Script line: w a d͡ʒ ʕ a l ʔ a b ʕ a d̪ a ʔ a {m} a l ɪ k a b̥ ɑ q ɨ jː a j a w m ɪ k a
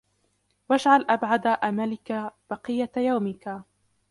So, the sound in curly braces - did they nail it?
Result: yes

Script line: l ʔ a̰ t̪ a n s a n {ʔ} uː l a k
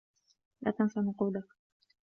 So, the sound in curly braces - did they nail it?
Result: no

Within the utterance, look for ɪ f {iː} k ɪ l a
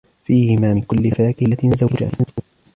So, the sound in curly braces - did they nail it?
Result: no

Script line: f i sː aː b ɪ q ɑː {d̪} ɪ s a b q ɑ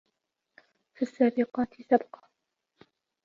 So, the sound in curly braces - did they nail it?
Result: no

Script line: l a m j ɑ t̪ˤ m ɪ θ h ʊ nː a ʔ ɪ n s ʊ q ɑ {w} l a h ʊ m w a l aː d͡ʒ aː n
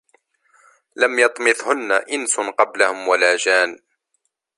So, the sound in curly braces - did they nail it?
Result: no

